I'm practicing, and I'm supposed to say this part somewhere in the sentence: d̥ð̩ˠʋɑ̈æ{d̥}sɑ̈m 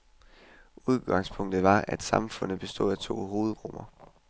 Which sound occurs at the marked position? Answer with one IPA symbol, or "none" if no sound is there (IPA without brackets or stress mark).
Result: d̥